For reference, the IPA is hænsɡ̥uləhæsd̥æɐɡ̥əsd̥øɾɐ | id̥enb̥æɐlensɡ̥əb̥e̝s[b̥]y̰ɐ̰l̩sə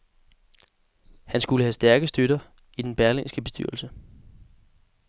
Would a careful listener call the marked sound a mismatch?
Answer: yes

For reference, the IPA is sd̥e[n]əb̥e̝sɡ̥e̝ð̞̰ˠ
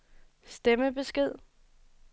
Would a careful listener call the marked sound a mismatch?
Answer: yes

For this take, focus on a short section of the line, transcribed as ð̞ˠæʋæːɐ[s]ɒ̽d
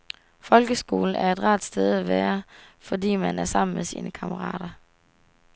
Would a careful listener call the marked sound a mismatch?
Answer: yes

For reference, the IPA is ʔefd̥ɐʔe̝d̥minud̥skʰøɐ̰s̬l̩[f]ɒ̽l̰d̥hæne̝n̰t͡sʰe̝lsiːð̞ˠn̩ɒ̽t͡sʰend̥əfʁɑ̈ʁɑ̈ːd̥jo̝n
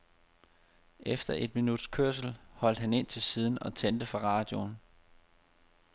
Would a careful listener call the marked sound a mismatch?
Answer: yes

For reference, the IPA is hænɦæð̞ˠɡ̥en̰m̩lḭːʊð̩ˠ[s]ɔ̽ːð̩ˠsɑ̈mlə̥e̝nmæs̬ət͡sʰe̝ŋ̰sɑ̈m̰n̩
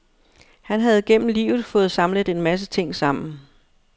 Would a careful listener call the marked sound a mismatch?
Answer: yes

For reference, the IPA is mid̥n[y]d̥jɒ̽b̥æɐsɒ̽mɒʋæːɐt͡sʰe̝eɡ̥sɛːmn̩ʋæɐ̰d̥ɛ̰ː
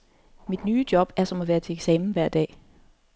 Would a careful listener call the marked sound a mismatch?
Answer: yes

